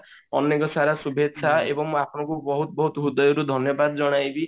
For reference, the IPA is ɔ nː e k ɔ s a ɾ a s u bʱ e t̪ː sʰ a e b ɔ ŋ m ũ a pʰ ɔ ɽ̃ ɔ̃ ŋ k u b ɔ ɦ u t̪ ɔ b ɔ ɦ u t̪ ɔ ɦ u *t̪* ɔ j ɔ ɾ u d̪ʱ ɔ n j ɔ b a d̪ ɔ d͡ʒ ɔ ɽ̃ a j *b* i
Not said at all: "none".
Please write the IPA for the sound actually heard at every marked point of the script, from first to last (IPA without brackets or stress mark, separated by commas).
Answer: d̪, b